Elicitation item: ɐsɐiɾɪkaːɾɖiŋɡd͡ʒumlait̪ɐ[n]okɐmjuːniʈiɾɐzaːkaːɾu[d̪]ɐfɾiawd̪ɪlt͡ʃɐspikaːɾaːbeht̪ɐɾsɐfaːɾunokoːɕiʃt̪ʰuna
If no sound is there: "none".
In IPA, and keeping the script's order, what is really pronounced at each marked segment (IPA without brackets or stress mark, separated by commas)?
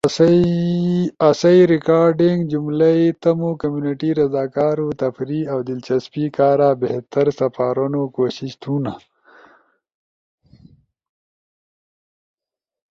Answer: m, t̪